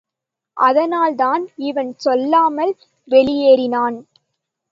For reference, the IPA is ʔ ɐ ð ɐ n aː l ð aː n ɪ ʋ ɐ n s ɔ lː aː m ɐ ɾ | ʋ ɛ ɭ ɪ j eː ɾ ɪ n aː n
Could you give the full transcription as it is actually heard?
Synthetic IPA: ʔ ɐ ð ɐ n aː l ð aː n ɪ ʋ ɐ n s ɔ lː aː m ɐ l | ʋ ɛ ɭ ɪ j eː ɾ ɪ n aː n